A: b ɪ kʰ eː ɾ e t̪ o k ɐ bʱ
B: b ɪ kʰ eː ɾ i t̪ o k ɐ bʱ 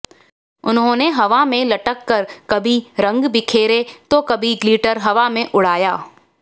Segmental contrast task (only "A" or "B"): A